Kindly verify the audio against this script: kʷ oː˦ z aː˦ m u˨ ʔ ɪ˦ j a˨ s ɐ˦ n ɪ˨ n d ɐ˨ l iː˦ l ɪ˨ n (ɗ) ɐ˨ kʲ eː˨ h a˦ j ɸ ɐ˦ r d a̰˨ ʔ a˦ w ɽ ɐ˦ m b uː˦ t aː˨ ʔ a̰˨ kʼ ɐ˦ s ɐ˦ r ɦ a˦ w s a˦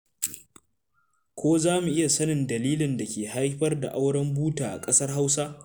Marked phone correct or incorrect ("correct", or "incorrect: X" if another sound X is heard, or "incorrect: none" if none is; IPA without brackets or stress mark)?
incorrect: d